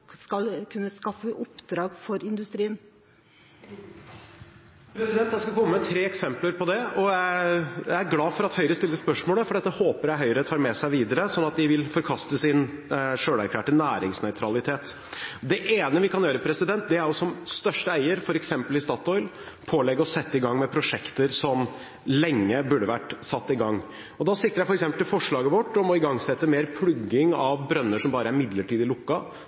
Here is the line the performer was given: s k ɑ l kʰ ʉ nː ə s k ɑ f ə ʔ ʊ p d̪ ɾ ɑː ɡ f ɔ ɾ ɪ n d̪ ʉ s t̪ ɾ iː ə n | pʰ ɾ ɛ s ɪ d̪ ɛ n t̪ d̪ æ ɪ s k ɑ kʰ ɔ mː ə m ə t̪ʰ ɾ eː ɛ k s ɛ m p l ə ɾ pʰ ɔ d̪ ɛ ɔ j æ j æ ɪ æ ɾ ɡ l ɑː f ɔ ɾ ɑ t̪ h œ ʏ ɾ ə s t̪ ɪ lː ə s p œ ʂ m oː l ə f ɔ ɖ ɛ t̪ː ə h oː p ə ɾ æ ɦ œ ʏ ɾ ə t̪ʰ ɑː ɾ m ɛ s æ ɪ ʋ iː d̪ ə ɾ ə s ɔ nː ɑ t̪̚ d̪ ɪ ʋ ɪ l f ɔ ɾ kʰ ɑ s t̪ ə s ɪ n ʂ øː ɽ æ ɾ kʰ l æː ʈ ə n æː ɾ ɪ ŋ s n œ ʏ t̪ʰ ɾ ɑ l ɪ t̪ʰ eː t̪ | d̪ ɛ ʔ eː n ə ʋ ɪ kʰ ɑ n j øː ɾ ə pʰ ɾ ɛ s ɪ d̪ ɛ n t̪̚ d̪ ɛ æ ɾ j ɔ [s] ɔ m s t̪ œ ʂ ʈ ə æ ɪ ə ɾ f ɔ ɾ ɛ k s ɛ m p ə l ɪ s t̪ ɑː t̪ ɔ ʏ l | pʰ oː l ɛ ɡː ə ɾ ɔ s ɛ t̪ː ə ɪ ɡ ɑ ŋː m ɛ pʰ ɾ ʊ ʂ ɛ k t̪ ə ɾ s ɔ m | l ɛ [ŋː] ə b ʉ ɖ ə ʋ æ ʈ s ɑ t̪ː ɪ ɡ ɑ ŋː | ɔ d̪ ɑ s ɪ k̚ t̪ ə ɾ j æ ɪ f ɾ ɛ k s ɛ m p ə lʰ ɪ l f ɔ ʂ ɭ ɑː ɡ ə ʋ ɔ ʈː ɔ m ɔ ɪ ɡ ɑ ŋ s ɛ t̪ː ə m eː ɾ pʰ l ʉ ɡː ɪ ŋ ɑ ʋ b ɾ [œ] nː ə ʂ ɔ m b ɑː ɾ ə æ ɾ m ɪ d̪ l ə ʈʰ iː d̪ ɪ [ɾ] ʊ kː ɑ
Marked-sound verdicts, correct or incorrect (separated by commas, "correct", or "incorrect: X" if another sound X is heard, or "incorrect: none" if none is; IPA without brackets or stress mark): correct, correct, correct, incorrect: l